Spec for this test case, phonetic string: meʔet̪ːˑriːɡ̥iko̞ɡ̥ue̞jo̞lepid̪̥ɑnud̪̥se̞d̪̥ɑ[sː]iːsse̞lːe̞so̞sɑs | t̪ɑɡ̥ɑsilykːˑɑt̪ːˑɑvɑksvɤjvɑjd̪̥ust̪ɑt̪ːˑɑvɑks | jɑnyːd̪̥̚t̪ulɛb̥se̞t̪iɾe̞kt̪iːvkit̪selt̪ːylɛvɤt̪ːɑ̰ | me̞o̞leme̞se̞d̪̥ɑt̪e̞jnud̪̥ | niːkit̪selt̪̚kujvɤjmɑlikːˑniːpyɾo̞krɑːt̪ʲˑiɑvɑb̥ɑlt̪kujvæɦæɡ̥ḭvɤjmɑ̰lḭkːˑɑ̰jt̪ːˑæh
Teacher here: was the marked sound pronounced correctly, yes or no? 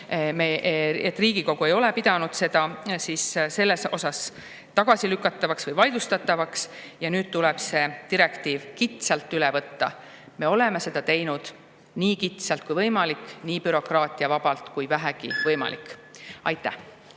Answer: no